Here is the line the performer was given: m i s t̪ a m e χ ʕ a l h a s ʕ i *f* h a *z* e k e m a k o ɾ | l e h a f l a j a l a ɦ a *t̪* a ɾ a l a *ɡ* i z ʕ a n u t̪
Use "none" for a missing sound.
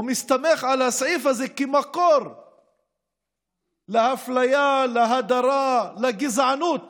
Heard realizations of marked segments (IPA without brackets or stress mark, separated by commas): f, z, d̪, ɡ